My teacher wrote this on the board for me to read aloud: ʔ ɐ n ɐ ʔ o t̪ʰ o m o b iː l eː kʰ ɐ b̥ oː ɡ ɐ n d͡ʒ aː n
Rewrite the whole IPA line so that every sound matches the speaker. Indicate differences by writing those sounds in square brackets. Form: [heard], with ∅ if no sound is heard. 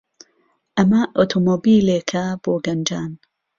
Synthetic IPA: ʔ ɐ [m] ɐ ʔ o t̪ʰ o m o b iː l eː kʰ ɐ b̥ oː ɡ ɐ n d͡ʒ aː n